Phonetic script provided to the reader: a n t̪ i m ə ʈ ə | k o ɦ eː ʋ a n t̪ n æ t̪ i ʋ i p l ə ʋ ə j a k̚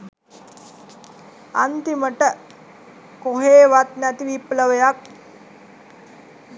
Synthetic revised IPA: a n t̪ i m ə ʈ ə | k o ɦ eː ʋ a t̪ n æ t̪ i ʋ i p l ə ʋ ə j a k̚

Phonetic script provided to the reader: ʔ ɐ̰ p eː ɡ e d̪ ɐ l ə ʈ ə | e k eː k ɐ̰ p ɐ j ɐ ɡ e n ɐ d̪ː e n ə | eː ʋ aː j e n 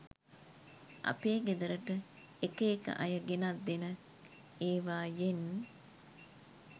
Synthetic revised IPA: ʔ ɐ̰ p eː ɡ e d̪ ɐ ɾ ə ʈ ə | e k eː k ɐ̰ ʔ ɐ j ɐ ɡ e n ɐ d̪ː e n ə | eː ʋ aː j e n

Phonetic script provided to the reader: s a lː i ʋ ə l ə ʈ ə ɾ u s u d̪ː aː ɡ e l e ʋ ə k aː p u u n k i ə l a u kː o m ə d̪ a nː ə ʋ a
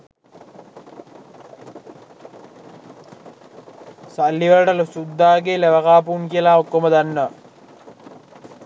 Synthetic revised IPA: s a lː i ʋ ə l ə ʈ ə l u s u d̪ː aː ɡ e l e ʋ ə k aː p u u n k i ə l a o kː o m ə d̪ a nː ə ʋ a

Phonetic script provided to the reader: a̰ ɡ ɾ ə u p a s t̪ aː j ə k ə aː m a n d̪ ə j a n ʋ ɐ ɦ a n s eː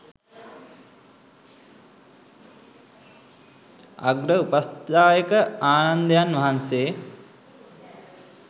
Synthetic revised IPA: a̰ ɡ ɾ ə u p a s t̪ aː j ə k ə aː n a n d̪ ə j a n ʋ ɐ ɦ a n s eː

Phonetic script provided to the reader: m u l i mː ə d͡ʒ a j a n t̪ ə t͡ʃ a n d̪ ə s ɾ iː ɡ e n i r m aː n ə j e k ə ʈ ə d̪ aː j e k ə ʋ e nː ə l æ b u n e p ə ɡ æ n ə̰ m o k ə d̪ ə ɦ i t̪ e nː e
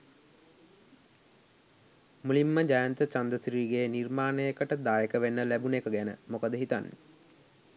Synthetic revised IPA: m u l i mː ə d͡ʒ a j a n t̪ ə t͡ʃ a n d̪ ə s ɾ iː ɡ e n i r m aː n ə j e k ə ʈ ə d̪ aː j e k ə ʋ e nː ə l æ b u n e k ə ɡ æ n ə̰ m o k ə d̪ ə ɦ i t̪ a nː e

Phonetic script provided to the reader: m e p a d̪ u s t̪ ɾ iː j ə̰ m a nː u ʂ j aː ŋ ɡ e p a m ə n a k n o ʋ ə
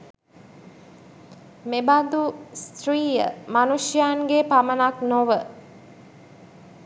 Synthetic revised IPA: m e b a d̪ u s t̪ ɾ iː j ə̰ m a n u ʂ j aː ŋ ɡ e p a m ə n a k n o ʋ ə

